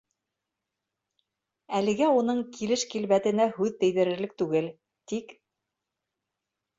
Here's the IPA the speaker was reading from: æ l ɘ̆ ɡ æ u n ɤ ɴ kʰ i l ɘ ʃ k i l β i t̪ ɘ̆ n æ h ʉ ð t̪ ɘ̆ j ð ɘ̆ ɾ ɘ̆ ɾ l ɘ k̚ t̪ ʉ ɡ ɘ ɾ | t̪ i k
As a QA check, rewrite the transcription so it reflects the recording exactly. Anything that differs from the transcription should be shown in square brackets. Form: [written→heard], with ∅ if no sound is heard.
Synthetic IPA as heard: æ l ɘ̆ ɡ æ u n ɤ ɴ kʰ i l ɘ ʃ k i l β [i→æ] t̪ ɘ̆ n æ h ʉ ð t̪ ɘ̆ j ð ɘ̆ ɾ ɘ̆ ɾ l ɘ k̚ t̪ ʉ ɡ ɘ [ɾ→l] | t̪ i k

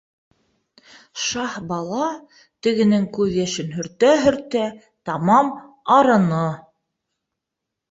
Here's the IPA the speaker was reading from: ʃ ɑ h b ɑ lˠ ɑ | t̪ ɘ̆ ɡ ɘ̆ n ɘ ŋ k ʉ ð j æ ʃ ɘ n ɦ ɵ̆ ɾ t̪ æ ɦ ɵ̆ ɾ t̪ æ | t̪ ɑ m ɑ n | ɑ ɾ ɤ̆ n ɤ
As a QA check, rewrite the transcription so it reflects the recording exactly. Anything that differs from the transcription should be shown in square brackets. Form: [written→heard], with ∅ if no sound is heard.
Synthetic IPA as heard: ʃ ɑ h b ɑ lˠ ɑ | t̪ ɘ̆ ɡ ɘ̆ n ɘ ŋ k ʉ ð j æ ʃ ɘ n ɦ ɵ̆ ɾ t̪ æ ɦ ɵ̆ ɾ t̪ æ | t̪ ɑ m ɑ [n→m] | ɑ ɾ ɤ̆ n ɤ

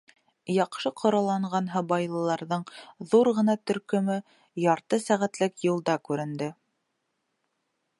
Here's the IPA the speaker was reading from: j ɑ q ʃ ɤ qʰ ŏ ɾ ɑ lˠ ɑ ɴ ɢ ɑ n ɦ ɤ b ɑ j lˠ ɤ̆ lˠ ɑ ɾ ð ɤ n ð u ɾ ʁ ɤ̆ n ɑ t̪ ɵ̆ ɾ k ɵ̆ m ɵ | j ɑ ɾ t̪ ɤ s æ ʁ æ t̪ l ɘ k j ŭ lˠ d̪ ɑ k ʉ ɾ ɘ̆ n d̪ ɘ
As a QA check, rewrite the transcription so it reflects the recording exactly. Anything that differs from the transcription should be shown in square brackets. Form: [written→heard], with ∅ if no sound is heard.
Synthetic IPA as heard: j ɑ q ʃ ɤ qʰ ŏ ɾ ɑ lˠ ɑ ɴ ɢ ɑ n ɦ ɤ b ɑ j lˠ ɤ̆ lˠ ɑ ɾ ð ɤ [n→ɴ] ð u ɾ ʁ ɤ̆ n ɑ t̪ ɵ̆ ɾ k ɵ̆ m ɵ | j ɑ ɾ t̪ ɤ s æ ʁ æ t̪ l ɘ k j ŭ lˠ d̪ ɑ k ʉ ɾ ɘ̆ n d̪ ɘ

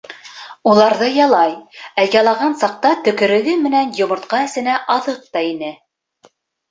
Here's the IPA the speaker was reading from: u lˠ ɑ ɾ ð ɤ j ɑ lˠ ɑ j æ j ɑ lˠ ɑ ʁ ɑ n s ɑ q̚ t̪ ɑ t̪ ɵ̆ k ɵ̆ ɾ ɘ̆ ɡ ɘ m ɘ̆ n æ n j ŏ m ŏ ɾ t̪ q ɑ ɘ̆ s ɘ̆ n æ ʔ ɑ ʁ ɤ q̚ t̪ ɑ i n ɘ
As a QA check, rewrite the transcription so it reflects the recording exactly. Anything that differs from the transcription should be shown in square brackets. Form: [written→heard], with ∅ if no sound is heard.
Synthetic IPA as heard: u lˠ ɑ ɾ ð ɤ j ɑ lˠ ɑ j æ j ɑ lˠ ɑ ʁ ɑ n s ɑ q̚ t̪ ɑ t̪ ɵ̆ k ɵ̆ ɾ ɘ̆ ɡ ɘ m ɘ̆ n æ n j ŏ m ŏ ɾ t̪ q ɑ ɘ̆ s ɘ̆ n æ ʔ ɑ [ʁ→ð] ɤ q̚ t̪ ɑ i n ɘ

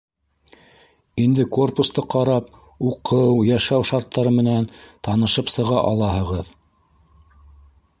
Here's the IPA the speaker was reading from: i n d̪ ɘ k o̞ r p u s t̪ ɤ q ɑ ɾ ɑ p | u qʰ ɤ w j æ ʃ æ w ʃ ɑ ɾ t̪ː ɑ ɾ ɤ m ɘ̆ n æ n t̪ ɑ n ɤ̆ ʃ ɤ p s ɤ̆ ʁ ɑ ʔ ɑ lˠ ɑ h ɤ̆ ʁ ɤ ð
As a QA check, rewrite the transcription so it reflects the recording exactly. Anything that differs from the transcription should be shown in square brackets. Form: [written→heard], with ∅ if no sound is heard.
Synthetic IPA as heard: i n d̪ ɘ k o̞ r p u s t̪ ɤ q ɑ ɾ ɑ p | u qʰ ɤ w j æ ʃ æ w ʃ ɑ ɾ t̪ː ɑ ɾ ɤ m ɘ̆ n æ n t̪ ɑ n ɤ̆ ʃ ɤ p s ɤ̆ ʁ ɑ ʔ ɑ lˠ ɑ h ɤ̆ ʁ ɤ ð

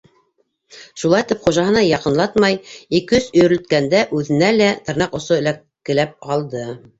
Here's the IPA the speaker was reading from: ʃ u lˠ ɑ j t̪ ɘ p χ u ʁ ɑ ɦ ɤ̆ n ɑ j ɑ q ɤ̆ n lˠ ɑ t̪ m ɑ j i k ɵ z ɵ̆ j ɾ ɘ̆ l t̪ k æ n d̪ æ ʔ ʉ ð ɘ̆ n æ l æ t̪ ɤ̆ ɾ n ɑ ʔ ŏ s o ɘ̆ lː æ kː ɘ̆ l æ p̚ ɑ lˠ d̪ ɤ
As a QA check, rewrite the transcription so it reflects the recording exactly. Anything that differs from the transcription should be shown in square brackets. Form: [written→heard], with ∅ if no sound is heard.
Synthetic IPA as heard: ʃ u lˠ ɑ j t̪ ɘ p χ u [ʁ→ʒ] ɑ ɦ ɤ̆ n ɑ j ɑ q ɤ̆ n lˠ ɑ t̪ m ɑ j i k ɵ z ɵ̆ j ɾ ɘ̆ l t̪ k æ n d̪ æ ʔ ʉ ð ɘ̆ n æ l æ t̪ ɤ̆ ɾ n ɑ [ʔ→q] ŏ s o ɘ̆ [lː→l] æ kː ɘ̆ l æ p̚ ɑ lˠ d̪ ɤ

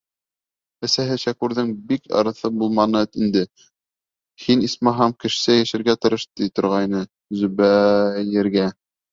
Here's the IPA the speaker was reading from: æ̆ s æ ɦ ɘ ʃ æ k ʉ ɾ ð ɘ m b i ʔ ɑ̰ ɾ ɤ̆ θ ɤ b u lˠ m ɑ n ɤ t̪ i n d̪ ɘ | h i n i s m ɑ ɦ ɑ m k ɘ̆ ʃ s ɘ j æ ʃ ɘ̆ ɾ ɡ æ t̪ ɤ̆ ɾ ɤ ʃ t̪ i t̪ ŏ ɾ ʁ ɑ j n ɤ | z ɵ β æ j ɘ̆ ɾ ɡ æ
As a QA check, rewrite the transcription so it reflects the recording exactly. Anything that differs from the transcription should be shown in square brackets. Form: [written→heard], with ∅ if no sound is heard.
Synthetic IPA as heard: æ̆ s æ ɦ ɘ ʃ æ k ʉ ɾ ð ɘ [m→ŋ] b i [ʔ→k] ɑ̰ ɾ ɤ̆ θ ɤ b u lˠ m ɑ n ɤ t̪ i n d̪ ɘ | h i n i s m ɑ ɦ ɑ m k ɘ̆ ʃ s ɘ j æ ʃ ɘ̆ ɾ ɡ æ t̪ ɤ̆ ɾ ɤ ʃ t̪ i t̪ ŏ ɾ ʁ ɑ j n ɤ | z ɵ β æ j ɘ̆ ɾ ɡ æ

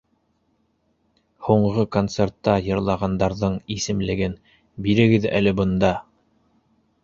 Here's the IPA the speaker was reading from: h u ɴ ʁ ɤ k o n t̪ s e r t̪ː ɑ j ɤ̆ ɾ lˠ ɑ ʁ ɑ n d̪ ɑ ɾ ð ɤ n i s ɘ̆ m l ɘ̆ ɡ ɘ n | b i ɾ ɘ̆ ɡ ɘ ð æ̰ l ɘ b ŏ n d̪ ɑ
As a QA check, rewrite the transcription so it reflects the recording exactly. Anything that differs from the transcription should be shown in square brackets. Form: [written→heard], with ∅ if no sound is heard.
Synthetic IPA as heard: h u ɴ ʁ ɤ k o n t̪ s e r t̪ː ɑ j ɤ̆ ɾ lˠ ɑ ʁ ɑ n d̪ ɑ ɾ ð ɤ [n→ɴ] i s ɘ̆ m l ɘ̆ ɡ ɘ n | b i ɾ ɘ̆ ɡ ɘ ð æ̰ l ɘ b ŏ n d̪ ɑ

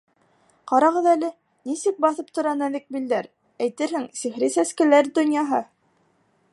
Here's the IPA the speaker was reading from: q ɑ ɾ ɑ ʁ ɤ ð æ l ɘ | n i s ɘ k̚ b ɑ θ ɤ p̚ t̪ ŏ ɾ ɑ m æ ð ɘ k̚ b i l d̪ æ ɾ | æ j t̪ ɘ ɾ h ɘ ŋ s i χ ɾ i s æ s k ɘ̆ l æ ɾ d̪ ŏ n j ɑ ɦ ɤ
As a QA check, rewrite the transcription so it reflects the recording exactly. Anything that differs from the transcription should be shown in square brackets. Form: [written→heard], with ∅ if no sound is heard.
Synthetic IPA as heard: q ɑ ɾ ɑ ʁ ɤ ð æ l ɘ | n i s ɘ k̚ b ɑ θ ɤ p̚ t̪ ŏ ɾ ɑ [m→n] æ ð ɘ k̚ b i l d̪ æ ɾ | æ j t̪ ɘ ɾ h ɘ ŋ s i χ ɾ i s æ s k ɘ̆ l æ ɾ d̪ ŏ n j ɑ ɦ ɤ

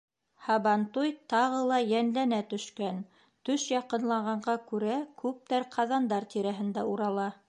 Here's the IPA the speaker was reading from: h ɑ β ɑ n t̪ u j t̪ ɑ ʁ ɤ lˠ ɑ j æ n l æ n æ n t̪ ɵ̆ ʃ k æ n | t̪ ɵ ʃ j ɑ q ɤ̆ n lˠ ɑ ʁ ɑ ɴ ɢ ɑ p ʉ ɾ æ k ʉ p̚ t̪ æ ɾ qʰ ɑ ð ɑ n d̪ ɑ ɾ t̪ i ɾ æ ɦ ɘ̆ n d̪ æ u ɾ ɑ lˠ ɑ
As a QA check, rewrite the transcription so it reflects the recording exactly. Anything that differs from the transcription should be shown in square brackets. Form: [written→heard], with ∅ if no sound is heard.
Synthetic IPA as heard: h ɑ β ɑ n t̪ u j t̪ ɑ ʁ ɤ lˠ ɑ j æ n l æ n æ [n→∅] t̪ ɵ̆ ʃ k æ n | t̪ ɵ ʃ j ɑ q ɤ̆ n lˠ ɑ ʁ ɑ ɴ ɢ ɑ [p→k] ʉ ɾ æ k ʉ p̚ t̪ æ ɾ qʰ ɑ ð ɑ n d̪ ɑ ɾ t̪ i ɾ æ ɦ ɘ̆ n d̪ æ u ɾ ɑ lˠ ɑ

